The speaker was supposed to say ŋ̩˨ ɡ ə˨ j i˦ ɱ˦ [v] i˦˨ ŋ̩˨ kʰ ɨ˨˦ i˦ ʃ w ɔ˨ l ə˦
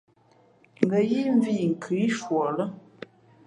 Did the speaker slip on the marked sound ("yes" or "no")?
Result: no